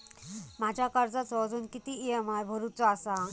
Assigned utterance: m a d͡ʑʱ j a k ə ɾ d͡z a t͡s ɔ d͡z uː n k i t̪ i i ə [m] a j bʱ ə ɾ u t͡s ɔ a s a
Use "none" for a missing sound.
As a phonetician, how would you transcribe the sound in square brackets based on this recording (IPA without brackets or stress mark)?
m